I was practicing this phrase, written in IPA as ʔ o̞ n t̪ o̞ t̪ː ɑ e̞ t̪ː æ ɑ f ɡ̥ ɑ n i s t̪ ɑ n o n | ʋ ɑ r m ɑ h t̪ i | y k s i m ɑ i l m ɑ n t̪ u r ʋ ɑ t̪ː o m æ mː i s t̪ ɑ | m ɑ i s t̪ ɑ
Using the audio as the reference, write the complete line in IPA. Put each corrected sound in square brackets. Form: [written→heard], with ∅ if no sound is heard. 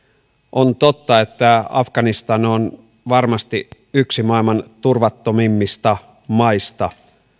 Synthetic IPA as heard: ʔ o̞ n t̪ o̞ t̪ː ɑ e̞ t̪ː æ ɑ f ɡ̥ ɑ n i s t̪ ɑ n o n | ʋ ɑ r m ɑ [h→s] t̪ i | y k s i m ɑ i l m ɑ n t̪ u r ʋ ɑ t̪ː o m [æ→i] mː i s t̪ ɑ | m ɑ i s t̪ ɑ